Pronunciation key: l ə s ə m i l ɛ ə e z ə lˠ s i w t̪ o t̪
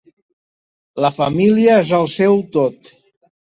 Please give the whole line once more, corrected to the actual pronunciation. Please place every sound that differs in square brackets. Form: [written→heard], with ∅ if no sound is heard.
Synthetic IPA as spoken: l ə [s→f] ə m i l [ɛ→i] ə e z ə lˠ s [i→ɛ] w t̪ o t̪